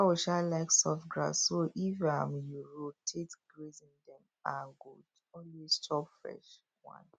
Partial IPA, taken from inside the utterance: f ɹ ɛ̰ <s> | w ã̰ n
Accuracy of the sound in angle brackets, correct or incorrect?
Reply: incorrect